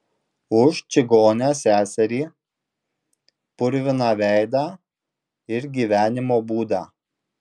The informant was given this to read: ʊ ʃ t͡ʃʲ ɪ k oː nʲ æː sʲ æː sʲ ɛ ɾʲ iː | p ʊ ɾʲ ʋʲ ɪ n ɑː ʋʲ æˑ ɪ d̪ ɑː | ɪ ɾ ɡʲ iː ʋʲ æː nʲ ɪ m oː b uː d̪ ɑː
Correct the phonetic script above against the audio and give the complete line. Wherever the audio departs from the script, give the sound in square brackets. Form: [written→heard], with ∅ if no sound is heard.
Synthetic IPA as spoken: ʊ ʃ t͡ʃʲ ɪ [k→ɡ] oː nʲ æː sʲ æː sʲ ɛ ɾʲ iː | p ʊ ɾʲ ʋʲ ɪ n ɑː ʋʲ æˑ ɪ d̪ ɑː | ɪ ɾ ɡʲ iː ʋʲ æː nʲ ɪ m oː b uː d̪ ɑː